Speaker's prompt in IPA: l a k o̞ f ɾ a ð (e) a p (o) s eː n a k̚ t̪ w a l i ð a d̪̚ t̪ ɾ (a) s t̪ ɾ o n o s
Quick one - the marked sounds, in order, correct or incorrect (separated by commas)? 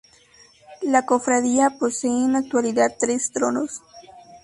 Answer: incorrect, correct, incorrect